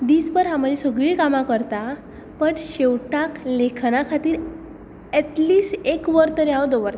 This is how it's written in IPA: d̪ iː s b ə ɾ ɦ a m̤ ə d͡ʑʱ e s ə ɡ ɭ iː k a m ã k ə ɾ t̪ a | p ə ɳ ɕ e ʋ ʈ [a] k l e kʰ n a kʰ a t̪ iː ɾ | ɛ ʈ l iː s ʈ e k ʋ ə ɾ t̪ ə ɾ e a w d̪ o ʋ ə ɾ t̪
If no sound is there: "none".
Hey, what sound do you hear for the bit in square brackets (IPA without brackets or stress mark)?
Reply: a